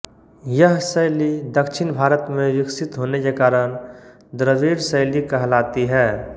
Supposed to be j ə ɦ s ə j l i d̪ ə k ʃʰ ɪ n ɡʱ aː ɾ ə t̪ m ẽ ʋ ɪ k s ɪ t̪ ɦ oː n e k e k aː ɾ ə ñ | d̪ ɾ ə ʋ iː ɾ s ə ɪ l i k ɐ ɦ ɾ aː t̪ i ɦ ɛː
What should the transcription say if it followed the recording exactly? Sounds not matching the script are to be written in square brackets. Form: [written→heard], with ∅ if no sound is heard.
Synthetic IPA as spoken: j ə ɦ s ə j l i d̪ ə k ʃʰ ɪ n [ɡʱ→bʱ] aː ɾ ə t̪ m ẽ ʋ ɪ k s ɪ t̪ ɦ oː n e k e k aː ɾ ə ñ | d̪ ɾ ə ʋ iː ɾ s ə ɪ l i k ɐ ɦ [ɾ→l] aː t̪ i ɦ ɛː